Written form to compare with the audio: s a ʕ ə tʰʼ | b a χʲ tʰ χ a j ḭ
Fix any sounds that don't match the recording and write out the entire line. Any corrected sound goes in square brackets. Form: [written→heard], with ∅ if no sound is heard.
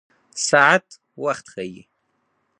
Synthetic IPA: s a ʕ [ə→a] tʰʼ | [b→w] a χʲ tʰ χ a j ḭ